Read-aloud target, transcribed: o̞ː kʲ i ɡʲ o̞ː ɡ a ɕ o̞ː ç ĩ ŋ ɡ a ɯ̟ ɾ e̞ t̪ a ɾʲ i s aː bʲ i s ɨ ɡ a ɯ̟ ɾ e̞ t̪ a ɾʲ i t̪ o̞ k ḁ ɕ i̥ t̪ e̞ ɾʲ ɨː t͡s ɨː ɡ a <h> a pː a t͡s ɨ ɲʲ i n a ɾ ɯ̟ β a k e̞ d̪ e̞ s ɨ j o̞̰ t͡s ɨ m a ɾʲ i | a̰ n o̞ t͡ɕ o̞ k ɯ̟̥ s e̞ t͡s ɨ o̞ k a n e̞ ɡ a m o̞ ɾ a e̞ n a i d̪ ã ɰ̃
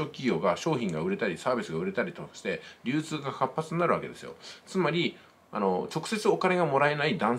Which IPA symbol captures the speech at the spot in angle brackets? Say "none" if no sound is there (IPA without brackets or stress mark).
h